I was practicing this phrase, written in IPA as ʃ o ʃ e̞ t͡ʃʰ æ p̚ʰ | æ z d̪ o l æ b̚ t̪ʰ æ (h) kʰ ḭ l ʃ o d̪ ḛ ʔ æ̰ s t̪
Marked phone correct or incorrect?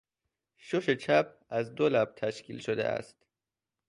incorrect